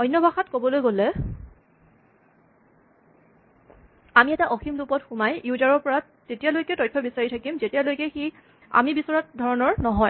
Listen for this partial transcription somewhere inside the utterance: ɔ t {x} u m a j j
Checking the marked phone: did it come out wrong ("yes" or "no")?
no